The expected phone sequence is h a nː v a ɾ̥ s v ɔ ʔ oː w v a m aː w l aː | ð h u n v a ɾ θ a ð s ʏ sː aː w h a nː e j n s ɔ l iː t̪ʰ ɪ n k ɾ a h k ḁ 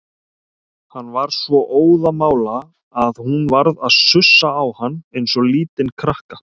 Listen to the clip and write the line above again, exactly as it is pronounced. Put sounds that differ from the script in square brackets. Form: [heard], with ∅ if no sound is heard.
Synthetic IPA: h a nː v a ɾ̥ s v ɔ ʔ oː w [ð] a m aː w l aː | ð h u n v a ɾ [ð] a ð s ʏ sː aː w h a nː e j n s ɔ l iː [t̪] ɪ n [kʰ] ɾ a h k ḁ